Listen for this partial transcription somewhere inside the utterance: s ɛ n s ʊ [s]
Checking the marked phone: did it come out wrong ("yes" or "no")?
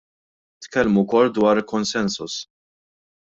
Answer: no